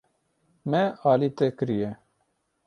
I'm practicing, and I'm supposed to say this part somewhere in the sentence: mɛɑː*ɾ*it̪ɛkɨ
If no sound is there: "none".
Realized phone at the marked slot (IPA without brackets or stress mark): l